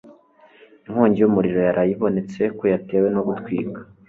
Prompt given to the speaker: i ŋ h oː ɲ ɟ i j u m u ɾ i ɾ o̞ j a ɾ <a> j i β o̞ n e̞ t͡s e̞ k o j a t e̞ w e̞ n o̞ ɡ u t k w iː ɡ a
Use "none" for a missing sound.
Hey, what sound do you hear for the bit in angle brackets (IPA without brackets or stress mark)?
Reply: a